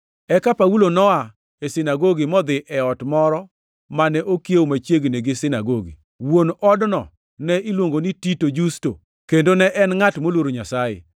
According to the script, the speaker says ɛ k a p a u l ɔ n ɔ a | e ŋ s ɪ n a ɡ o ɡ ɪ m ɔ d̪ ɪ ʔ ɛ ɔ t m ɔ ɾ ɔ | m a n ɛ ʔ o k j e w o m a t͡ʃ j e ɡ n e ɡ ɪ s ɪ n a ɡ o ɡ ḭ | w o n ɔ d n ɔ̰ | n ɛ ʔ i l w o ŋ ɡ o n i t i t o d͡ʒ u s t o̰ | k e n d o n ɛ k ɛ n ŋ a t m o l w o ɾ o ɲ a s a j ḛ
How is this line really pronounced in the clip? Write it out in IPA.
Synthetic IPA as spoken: ɛ k a p a u l o n ɔ a | e s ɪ n a ɡ o ɡ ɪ m ɔ d̪ ɪ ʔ ɛ ɔ t m ɔ ɾ ɔ | m a n ɛ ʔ o k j e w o m a t͡ʃ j e ɡ n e ɡ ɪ s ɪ n a ɡ o ɡ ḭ | w o n ɔ d n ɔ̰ | n ɛ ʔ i l w o ŋ ɡ o n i t i t o d͡ʒ u s t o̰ | k e n d o n ɛ ʔ ɛ n ŋ a t m o l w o ɾ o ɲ a s a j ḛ